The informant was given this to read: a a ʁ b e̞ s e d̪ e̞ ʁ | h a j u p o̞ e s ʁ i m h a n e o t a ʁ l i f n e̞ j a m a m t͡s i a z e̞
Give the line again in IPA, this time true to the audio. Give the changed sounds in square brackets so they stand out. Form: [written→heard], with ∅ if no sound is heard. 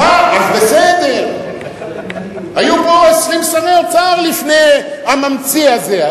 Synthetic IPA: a a [ʁ→z] b e̞ s e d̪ e̞ ʁ | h a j u p o̞ e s ʁ i m [h→ʃ] a n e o [t→t͡s] a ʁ l i f n e̞ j a m a m t͡s i a z e̞